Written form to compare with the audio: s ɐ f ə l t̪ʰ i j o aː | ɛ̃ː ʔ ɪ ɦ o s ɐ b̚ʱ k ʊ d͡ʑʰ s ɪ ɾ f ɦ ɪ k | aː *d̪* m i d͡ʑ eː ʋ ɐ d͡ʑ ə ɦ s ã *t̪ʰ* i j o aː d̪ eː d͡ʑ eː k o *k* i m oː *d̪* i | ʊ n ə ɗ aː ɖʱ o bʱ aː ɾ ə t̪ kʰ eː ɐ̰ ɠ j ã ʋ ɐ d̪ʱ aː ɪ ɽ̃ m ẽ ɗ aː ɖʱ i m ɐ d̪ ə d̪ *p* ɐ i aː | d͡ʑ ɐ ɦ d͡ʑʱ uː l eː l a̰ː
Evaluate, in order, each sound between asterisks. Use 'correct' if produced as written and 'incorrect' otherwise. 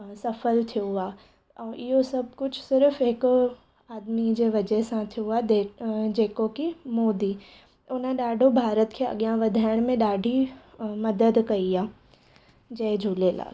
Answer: correct, correct, correct, correct, incorrect

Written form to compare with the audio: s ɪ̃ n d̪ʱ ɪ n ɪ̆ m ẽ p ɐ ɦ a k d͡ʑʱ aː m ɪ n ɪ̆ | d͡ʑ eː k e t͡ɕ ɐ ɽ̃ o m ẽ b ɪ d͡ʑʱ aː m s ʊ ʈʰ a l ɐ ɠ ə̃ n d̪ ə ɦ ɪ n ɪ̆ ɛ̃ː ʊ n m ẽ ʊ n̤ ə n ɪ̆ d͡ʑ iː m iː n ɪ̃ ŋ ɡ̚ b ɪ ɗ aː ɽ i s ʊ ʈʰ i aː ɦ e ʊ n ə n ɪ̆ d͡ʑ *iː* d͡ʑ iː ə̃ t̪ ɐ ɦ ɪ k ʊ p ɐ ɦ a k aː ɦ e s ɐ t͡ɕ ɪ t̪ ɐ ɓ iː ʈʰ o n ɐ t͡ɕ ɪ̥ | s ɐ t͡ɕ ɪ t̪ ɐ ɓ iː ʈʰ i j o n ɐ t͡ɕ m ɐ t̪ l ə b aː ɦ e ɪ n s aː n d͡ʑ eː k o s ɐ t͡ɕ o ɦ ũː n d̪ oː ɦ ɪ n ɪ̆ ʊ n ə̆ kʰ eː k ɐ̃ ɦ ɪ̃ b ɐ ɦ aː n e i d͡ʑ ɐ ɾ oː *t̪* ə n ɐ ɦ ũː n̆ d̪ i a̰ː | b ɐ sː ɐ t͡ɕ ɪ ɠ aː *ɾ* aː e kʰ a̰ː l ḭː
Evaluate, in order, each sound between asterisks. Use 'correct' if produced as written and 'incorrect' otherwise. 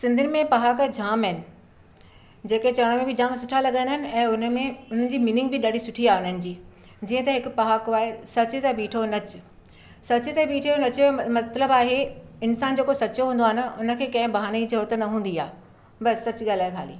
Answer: correct, correct, incorrect

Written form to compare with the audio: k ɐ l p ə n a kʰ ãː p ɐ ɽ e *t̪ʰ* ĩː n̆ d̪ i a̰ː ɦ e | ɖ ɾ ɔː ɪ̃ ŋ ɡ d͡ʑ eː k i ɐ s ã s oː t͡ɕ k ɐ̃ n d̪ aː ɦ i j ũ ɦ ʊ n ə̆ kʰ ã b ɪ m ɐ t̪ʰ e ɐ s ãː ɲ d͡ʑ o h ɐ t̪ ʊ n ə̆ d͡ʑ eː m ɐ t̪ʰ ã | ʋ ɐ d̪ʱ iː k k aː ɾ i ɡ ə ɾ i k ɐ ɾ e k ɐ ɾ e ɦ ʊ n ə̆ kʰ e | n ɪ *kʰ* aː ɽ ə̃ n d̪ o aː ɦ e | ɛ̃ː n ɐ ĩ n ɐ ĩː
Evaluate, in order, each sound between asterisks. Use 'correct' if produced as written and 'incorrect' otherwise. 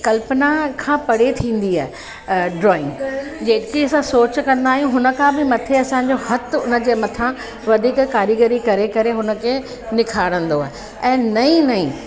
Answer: correct, correct

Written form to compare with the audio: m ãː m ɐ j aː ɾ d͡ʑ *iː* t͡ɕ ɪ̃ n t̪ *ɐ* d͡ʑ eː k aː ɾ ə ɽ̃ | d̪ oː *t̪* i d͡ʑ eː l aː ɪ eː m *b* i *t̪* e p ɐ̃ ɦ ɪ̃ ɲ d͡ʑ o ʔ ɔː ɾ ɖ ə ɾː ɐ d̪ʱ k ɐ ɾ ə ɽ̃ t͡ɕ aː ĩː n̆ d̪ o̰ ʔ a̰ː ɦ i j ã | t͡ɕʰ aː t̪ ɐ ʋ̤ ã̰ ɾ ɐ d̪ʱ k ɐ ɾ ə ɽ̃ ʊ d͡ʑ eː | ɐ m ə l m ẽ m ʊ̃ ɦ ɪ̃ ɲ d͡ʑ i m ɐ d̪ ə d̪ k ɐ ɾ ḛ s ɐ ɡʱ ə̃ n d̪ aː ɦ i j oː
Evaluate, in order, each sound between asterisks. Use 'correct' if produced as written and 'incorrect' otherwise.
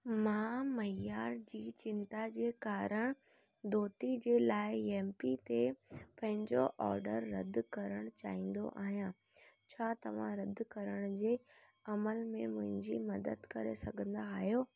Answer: correct, incorrect, correct, incorrect, correct

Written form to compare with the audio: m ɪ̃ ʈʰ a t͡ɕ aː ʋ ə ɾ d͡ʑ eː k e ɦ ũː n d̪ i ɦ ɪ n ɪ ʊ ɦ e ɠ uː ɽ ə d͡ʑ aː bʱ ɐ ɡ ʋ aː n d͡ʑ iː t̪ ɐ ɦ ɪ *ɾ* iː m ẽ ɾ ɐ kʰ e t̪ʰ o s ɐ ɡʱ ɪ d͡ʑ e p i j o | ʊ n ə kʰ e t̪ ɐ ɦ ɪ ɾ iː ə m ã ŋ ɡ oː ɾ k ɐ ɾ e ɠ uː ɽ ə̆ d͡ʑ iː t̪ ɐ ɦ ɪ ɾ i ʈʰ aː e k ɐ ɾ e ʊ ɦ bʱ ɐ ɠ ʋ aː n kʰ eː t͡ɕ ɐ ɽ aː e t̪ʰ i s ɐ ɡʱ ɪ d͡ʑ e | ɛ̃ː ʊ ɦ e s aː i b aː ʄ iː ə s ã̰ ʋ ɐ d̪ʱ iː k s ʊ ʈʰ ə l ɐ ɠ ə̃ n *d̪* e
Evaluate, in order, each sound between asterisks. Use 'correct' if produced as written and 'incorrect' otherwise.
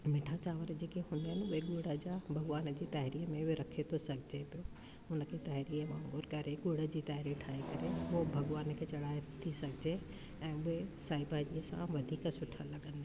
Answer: correct, correct

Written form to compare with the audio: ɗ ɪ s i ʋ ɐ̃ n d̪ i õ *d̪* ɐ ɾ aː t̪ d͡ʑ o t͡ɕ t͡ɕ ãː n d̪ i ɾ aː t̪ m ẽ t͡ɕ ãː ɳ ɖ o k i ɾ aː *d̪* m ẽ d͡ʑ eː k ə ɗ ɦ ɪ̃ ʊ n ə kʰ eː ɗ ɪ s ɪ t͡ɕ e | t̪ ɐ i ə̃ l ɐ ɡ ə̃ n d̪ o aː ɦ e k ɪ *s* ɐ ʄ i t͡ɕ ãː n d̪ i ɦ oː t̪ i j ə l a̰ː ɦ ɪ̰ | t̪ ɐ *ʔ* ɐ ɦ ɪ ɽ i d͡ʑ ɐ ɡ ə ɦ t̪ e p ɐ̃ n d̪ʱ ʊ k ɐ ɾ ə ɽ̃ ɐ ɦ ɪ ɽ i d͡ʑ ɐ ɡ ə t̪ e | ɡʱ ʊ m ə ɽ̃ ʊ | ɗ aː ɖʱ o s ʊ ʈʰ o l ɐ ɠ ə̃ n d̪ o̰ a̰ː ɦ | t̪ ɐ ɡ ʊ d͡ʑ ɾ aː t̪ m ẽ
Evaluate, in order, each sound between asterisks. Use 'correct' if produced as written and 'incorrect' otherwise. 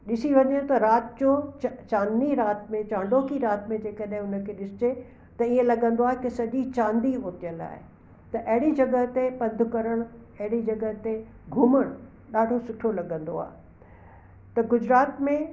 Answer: incorrect, incorrect, correct, correct

